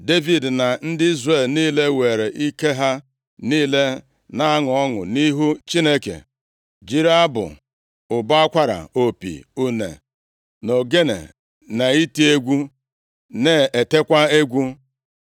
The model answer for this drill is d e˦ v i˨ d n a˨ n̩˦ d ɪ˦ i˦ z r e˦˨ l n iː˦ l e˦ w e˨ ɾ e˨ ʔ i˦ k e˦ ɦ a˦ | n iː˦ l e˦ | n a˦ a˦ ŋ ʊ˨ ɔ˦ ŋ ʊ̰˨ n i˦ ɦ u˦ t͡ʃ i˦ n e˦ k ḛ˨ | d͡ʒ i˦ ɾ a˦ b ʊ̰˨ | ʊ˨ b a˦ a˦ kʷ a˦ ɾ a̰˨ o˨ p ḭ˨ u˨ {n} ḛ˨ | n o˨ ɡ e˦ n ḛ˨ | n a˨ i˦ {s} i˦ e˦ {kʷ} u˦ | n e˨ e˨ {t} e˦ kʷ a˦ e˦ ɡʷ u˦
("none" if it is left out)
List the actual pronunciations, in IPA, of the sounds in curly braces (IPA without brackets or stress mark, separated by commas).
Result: n, t, ɡʷ, t